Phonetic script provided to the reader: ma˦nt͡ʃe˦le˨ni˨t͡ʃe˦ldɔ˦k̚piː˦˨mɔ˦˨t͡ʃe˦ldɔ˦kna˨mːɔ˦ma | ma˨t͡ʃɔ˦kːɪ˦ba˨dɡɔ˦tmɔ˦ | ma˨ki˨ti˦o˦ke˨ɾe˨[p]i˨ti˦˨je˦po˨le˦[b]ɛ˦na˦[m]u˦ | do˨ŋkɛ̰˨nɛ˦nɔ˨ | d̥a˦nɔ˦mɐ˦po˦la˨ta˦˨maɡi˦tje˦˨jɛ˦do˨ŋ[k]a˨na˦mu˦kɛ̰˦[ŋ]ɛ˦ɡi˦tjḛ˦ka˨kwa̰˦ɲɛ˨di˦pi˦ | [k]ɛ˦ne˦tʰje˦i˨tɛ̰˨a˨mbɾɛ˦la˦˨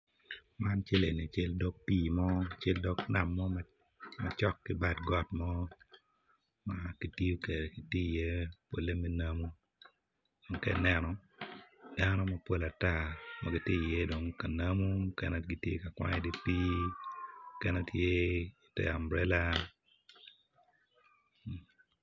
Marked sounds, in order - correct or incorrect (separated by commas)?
incorrect, incorrect, correct, correct, incorrect, correct